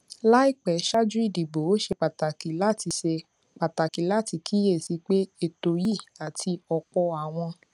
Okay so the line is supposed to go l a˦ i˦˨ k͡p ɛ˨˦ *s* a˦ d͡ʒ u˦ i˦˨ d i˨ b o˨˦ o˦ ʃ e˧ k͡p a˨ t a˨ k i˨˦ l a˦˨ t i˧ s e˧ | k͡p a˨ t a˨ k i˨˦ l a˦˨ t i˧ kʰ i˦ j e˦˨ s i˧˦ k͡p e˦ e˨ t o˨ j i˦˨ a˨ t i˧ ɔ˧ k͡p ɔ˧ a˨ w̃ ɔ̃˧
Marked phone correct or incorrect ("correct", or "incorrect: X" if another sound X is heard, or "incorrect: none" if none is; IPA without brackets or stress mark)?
incorrect: ʃ